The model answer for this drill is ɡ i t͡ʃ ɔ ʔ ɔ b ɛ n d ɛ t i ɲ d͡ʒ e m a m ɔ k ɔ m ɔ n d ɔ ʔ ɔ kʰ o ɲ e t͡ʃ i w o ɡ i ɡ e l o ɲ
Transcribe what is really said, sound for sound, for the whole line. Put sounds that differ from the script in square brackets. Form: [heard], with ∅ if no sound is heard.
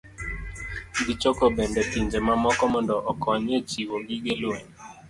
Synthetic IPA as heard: ɡ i t͡ʃ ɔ [k] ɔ b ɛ n d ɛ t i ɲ d͡ʒ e m a m ɔ k ɔ m ɔ n d ɔ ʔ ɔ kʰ [ɔ] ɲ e t͡ʃ i w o ɡ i ɡ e l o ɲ